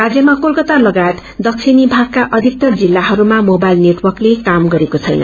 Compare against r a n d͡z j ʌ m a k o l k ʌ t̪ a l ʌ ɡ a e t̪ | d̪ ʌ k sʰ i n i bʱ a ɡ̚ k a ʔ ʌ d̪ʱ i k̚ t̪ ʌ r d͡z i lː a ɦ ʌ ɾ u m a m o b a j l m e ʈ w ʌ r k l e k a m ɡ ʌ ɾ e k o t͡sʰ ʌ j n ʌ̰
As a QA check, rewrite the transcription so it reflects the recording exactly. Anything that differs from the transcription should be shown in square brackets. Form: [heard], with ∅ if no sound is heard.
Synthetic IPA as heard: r a [∅] d͡z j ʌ m a k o l k ʌ t̪ a l ʌ ɡ a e t̪ | d̪ ʌ k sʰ i n i bʱ a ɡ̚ k a ʔ ʌ d̪ʱ i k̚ t̪ ʌ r d͡z i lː a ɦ ʌ ɾ u m a m o b a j l [n] e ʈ w ʌ r k l e k a m ɡ ʌ ɾ e k o t͡sʰ ʌ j n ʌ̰

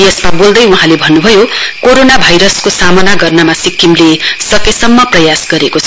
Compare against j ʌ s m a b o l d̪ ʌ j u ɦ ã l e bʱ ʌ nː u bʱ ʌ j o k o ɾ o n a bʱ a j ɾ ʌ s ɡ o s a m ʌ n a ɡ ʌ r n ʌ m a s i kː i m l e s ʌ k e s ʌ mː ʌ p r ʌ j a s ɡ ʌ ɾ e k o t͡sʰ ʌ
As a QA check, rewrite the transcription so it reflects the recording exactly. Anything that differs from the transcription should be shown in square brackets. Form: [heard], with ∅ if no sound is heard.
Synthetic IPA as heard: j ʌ s m a b o l d̪ ʌ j u ɦ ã l e bʱ ʌ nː u bʱ ʌ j o k o ɾ o n a bʱ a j ɾ ʌ s [k] o s a m ʌ n a ɡ ʌ r n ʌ m a s i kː i m l e s ʌ k e s ʌ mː ʌ p r ʌ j a s ɡ ʌ ɾ e k o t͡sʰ ʌ

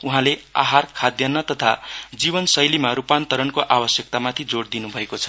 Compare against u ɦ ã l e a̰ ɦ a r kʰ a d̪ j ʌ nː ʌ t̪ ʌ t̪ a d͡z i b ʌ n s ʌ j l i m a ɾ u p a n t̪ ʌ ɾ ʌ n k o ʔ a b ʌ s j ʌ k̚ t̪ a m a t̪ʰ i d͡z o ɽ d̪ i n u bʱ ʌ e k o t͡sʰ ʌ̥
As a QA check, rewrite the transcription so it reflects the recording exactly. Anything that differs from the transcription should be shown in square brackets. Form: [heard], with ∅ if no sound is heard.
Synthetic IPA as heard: u ɦ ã l e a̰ ɦ a r kʰ a d̪ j ʌ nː ʌ t̪ ʌ [t̪ʰ] a d͡z i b ʌ n s ʌ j l i m a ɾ u p a n t̪ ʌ ɾ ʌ n k o ʔ a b ʌ s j ʌ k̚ t̪ a m a t̪ʰ i d͡z o ɽ d̪ i n u bʱ ʌ e k o t͡sʰ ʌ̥

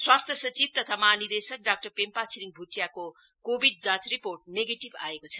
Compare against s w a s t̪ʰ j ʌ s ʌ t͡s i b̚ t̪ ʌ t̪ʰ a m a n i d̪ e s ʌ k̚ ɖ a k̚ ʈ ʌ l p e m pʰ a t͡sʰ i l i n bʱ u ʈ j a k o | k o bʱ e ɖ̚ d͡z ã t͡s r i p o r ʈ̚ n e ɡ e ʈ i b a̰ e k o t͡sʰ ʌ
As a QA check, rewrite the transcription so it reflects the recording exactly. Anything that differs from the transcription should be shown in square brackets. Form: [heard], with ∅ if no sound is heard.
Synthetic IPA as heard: s w a s t̪ʰ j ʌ s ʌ t͡s i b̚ t̪ ʌ t̪ʰ a m a n i d̪ e s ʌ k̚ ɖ a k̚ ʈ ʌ [r] p e m [p] a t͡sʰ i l i [ŋ] bʱ u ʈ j a k o | k o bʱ [i] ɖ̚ d͡z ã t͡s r i p o r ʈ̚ n e ɡ e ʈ i b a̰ e k o t͡sʰ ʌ

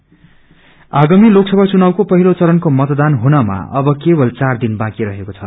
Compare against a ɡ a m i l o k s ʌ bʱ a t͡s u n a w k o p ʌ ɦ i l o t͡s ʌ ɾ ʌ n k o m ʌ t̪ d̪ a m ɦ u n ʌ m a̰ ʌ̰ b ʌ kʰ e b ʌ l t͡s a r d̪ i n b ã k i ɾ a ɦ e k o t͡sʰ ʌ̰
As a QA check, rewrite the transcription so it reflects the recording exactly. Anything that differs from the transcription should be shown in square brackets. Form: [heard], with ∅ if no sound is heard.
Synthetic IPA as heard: a ɡ a m i l o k s ʌ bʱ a t͡s u n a w k o p ʌ ɦ i l o t͡s ʌ ɾ ʌ n k o m ʌ t̪ d̪ a [n] ɦ u n ʌ m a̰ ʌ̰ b ʌ [k] e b ʌ l t͡s a r d̪ i n b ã k i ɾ [ʌ] ɦ e k o t͡sʰ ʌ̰

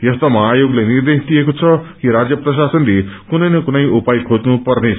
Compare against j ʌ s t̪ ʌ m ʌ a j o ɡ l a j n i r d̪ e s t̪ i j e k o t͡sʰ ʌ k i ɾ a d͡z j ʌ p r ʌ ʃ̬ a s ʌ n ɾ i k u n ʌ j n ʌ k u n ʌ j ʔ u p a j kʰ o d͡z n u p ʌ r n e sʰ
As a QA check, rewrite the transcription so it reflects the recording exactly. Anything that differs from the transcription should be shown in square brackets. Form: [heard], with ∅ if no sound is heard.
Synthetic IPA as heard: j ʌ s t̪ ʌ m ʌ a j o ɡ l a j n i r d̪ e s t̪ i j e k o t͡sʰ ʌ k i ɾ a d͡z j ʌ p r ʌ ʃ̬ a s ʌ n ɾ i k u n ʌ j n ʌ k u n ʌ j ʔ u p a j kʰ o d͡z n u p ʌ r n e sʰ

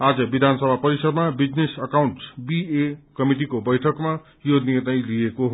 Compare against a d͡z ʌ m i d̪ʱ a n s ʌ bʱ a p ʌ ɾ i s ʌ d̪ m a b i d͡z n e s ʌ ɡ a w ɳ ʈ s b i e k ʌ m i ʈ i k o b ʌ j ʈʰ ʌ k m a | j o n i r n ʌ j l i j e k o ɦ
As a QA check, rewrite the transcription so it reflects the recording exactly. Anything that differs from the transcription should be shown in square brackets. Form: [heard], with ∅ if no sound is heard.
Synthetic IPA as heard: a d͡z ʌ [b] i d̪ʱ a n s ʌ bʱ a p ʌ ɾ i s ʌ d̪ m a b i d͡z n e s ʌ [k] a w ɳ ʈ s b i e k ʌ m i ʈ i k o b ʌ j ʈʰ ʌ k m a | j o n i r n ʌ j l i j e k o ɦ

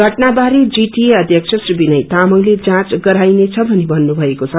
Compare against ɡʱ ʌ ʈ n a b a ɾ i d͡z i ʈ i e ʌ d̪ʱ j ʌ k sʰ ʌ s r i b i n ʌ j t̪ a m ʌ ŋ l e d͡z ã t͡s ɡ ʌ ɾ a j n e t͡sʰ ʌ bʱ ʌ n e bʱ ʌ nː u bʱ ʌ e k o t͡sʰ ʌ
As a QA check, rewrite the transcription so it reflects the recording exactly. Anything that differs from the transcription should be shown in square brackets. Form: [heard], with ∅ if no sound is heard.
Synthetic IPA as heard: ɡʱ ʌ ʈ n a b a ɾ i d͡z i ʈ i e ʌ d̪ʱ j ʌ k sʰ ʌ s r i b i n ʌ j t̪ a m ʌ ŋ l e d͡z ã t͡s ɡ ʌ ɾ a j n e t͡sʰ ʌ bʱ ʌ n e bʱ ʌ nː u bʱ ʌ e k o t͡sʰ ʌ

